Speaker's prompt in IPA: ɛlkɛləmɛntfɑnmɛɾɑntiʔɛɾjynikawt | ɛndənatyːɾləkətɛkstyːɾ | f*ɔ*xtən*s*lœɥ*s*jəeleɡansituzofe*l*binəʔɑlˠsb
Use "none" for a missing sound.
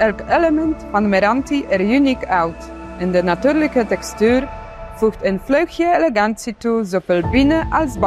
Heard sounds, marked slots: u, f, x, l

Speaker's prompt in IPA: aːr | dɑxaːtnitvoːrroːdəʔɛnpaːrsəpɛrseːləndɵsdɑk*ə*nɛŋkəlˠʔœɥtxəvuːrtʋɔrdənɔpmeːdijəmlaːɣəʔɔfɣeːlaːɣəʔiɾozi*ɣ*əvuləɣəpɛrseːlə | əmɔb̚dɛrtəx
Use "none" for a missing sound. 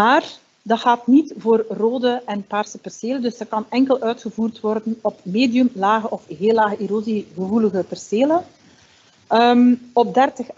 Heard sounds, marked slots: ɑ, ɣ

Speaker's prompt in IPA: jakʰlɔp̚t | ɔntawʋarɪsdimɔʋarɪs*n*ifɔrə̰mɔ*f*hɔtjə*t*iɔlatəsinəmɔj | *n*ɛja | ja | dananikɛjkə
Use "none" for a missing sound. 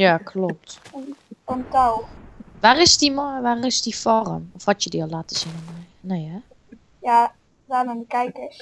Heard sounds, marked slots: d, f, d, n

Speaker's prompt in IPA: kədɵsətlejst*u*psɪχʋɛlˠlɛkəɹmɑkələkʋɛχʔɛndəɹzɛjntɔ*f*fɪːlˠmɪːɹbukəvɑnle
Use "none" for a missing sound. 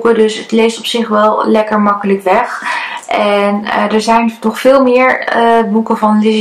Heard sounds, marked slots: ɔ, χ

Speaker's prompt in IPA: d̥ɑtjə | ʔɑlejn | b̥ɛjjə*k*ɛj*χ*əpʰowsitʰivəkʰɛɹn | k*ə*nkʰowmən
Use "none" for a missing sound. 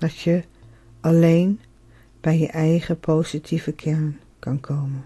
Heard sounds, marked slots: ʔ, χ, ɑ

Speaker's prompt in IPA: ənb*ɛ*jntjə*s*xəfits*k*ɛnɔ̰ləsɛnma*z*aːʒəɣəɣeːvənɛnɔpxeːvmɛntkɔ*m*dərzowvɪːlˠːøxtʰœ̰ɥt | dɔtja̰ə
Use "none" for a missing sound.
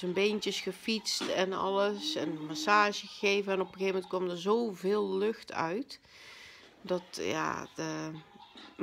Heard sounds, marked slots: e, s, t, s, m

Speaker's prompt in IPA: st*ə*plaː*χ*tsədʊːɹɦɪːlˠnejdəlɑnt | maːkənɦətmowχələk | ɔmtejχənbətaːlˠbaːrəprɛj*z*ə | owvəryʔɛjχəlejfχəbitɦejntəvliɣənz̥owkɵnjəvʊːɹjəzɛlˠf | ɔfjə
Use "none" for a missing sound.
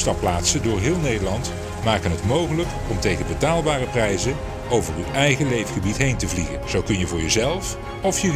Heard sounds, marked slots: ɑ, none, z

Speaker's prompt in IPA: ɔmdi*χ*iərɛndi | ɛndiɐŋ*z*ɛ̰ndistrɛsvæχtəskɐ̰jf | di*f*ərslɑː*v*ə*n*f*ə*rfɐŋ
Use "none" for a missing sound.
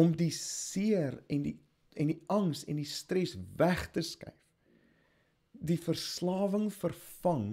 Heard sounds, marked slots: s, s, f, v, ŋ, ə

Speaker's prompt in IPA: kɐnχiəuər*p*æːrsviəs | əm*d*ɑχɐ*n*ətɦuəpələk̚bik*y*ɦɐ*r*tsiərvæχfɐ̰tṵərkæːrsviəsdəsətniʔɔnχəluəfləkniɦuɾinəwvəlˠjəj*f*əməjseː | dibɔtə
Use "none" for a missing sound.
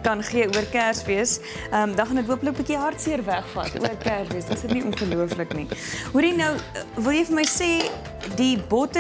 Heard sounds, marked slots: k, d, n, i, r, f

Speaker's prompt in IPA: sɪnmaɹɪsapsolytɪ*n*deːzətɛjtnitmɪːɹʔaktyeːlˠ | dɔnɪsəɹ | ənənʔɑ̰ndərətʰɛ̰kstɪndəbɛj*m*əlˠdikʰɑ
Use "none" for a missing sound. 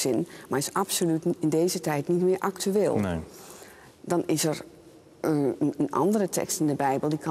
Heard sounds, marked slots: n, b

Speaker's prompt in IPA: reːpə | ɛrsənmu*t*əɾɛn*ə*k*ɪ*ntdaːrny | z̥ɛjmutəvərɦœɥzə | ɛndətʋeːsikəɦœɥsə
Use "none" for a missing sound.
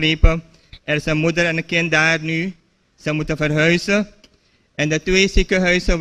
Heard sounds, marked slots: d, ə, ɪ

